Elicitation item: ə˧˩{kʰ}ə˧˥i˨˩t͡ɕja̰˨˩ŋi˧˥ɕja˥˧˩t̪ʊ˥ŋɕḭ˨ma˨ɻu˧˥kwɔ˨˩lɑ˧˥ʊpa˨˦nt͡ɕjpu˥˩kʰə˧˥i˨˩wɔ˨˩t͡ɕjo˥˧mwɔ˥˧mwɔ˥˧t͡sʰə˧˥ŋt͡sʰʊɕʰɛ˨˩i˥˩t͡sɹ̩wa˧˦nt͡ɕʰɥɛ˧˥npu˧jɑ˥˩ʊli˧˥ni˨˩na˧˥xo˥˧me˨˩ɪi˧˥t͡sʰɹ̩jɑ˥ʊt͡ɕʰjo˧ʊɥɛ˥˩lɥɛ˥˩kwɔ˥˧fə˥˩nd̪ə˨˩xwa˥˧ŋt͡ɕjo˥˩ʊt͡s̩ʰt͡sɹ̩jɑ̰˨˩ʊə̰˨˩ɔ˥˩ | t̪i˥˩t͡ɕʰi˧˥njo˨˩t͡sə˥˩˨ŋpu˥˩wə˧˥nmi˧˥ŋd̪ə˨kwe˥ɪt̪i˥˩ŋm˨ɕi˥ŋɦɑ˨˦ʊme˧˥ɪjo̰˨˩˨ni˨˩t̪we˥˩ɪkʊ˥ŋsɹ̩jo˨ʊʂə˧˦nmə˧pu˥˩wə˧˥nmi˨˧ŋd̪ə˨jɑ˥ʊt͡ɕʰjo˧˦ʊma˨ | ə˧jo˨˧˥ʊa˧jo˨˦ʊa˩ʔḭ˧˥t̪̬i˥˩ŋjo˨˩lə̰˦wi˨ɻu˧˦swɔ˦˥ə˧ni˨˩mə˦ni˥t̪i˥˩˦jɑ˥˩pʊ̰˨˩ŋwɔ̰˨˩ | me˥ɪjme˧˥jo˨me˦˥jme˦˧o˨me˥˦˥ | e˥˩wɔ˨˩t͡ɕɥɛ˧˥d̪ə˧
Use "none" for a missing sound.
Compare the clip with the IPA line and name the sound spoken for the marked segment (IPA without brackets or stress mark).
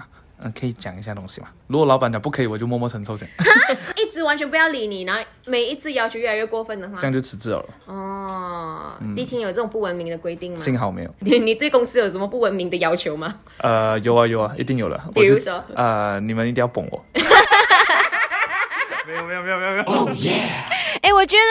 kʰ